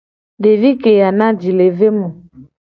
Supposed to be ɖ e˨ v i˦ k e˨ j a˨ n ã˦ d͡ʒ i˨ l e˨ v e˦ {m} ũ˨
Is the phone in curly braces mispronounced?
no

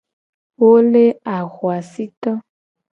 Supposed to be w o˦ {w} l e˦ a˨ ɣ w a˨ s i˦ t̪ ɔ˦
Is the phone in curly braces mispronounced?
yes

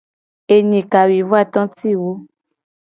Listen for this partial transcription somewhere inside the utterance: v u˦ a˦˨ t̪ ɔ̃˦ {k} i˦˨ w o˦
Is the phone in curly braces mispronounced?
yes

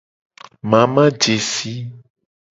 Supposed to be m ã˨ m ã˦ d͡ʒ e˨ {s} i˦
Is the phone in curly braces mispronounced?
no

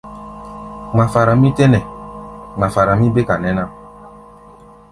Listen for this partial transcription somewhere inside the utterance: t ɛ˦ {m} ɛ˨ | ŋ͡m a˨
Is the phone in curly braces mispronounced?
yes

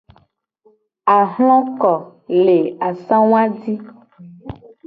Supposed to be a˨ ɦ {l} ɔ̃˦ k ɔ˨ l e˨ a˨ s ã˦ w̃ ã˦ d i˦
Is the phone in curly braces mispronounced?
no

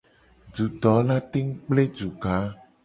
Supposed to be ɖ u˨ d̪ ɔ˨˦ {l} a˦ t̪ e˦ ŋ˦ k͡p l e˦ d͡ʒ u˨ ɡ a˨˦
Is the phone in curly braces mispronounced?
no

